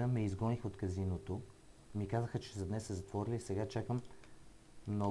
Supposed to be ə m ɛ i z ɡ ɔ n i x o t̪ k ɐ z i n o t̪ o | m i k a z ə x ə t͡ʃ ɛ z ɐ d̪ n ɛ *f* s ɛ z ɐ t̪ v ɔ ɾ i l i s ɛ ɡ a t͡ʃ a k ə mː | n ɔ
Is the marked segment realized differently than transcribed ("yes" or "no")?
yes